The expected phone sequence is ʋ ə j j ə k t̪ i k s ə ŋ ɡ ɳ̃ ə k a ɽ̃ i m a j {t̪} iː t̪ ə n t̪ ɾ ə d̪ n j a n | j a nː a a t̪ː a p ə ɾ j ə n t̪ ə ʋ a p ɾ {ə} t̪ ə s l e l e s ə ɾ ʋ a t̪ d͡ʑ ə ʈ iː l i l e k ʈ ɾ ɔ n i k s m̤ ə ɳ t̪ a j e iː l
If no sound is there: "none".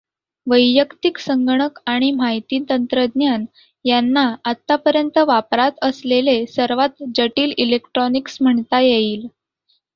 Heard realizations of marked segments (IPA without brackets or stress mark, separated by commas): t̪, a